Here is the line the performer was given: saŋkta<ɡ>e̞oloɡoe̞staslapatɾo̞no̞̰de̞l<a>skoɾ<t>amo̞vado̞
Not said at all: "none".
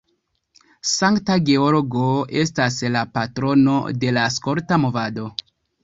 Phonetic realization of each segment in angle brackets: ɡ, a, t

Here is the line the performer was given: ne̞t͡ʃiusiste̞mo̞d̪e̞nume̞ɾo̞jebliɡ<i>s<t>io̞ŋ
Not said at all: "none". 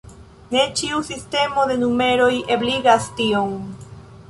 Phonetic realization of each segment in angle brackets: a, t

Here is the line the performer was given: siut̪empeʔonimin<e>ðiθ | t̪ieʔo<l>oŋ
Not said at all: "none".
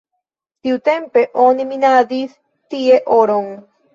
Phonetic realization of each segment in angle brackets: a, ɾ

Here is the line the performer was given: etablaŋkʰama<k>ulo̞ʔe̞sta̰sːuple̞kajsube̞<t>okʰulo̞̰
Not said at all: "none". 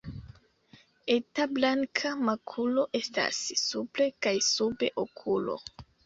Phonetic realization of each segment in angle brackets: kʰ, ʔ

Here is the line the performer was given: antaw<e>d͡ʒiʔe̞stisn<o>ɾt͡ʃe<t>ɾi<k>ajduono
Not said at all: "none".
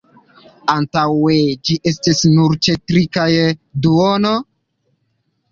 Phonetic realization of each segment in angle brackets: e, u, t, k

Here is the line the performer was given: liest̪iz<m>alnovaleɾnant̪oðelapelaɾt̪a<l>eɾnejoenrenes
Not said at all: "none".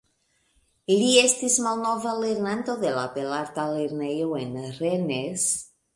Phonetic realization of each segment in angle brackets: m, l

